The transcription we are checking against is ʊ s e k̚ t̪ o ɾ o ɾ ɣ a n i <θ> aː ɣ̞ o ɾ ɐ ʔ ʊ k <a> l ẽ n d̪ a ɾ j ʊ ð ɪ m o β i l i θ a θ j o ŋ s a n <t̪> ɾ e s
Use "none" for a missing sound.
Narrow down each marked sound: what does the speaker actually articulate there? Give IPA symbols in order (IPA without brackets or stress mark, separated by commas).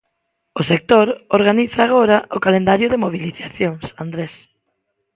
θ, a, d̪